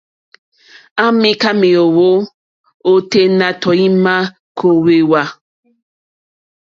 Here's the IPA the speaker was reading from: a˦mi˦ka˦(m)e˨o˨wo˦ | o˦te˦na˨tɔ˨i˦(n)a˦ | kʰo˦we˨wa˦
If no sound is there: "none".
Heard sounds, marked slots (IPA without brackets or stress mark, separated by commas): m, m